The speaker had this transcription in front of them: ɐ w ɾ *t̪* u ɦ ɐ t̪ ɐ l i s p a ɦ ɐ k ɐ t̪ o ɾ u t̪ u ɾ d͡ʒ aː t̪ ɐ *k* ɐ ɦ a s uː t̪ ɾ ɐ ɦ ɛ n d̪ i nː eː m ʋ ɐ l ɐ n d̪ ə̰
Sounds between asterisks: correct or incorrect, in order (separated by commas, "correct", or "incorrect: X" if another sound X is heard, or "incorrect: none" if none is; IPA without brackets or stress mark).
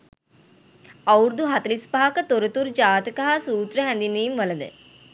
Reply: incorrect: d̪, correct